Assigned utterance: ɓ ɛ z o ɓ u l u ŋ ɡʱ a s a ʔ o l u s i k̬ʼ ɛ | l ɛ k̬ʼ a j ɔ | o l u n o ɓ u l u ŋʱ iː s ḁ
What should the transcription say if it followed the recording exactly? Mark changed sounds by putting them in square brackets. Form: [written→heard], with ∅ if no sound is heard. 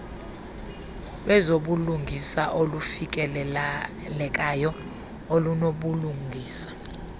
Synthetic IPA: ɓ ɛ z o ɓ u l u ŋ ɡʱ [a→i] s a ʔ o l u [s→f] i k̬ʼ ɛ | l ɛ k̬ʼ a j ɔ | o l u n o ɓ u l u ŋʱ iː s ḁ